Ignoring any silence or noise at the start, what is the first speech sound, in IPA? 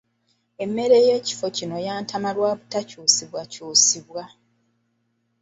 e̞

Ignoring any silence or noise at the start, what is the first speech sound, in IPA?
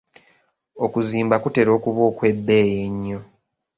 o̞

